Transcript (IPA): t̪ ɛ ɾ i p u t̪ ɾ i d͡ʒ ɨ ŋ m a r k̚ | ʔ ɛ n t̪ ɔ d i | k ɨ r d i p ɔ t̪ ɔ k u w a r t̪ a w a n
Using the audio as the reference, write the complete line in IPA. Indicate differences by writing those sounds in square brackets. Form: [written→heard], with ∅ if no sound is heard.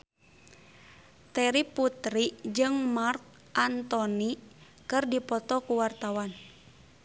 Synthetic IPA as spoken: t̪ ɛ ɾ i p u t̪ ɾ i d͡ʒ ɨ ŋ m a r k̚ | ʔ [ɛ→a] n t̪ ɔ [d→n] i | k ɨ r d i p ɔ t̪ ɔ k u w a r t̪ a w a n